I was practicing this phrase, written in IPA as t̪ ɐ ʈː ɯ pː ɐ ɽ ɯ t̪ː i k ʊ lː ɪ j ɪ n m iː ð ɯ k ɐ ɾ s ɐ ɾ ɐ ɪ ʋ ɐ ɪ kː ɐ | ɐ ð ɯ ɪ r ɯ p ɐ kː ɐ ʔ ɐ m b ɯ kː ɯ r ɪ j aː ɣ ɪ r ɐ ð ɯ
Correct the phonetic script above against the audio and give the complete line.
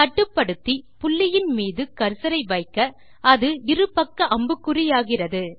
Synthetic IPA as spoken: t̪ ɐ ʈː ɯ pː ɐ ɽ ɯ t̪ː i p ʊ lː ɪ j ɪ n m iː ð ɯ k ɐ ɾ s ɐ ɾ ɐ ɪ ʋ ɐ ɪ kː ɐ | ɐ ð ɯ ɪ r ɯ p ɐ kː ɐ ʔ ɐ m b ɯ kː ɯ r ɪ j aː ɣ ɪ r ɐ ð ɯ